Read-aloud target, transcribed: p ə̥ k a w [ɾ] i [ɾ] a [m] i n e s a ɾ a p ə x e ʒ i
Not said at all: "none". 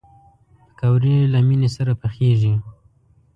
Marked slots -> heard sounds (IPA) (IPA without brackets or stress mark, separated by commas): ɾ, l, m